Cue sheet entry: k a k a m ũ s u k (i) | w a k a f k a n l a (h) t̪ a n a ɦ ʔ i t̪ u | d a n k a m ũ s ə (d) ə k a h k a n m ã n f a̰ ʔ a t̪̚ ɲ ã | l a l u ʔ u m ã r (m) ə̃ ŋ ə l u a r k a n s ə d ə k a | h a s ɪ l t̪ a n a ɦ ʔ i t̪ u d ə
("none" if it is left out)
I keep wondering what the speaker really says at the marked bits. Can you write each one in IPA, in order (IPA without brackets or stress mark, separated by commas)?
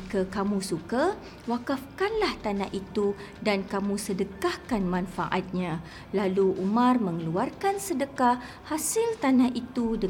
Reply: a, h, d, m